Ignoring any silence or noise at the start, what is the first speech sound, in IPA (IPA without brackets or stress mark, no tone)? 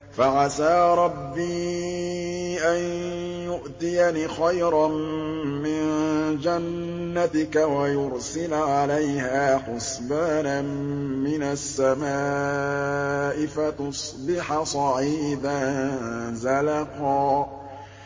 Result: f